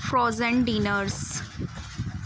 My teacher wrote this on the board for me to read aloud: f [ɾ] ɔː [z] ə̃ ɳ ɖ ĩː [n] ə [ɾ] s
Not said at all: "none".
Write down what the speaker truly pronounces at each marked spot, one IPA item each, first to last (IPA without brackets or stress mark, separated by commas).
ɾ, z, n, ɾ